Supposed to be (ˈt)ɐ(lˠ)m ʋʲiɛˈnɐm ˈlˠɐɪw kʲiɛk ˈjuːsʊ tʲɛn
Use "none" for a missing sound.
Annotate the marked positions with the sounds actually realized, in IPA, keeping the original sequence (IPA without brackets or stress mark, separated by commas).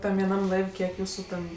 t, none